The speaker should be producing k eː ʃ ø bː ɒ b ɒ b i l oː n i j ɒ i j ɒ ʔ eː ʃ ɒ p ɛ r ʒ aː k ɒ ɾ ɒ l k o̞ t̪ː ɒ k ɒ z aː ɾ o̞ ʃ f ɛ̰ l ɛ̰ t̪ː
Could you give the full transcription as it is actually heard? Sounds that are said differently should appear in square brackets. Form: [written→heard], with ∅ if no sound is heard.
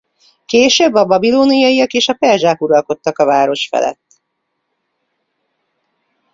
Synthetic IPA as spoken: k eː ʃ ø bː ɒ b ɒ b i l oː n i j ɒ i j ɒ [ʔ→k] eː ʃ ɒ p ɛ r ʒ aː k [ɒ→u] ɾ ɒ l k o̞ t̪ː ɒ k ɒ [z→v] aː ɾ o̞ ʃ f ɛ̰ l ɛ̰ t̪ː